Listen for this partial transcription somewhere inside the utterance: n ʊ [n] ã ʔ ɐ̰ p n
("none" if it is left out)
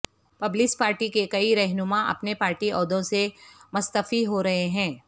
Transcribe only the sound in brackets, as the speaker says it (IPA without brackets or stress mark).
m